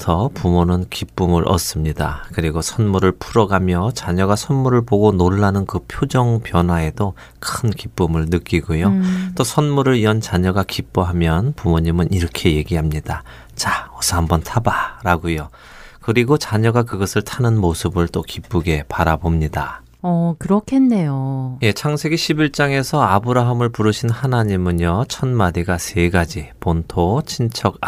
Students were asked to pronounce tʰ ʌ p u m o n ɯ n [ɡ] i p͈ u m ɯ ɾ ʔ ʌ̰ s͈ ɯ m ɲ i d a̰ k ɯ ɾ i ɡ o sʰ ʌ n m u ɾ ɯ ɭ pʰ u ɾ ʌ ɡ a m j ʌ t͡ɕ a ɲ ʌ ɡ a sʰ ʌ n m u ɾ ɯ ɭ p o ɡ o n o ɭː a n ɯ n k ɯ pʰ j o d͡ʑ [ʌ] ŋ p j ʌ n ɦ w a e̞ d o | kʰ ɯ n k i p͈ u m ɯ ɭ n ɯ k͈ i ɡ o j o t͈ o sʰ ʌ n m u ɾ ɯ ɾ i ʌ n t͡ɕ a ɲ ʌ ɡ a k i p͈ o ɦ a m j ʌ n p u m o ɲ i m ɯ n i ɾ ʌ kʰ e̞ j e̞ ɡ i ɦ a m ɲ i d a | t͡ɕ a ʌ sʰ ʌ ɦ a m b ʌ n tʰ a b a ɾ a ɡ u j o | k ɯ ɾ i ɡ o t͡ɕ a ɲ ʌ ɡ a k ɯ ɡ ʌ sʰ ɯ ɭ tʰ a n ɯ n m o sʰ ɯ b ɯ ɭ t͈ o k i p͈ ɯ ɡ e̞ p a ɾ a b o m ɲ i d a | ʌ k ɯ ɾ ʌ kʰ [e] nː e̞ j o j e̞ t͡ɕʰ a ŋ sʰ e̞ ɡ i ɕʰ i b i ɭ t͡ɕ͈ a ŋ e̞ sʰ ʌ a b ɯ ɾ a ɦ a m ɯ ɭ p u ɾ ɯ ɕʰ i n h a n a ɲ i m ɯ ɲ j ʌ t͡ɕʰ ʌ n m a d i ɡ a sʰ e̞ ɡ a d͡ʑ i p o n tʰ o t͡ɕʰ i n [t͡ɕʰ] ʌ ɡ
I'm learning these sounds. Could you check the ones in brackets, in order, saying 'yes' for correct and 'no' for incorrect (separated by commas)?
no, yes, yes, yes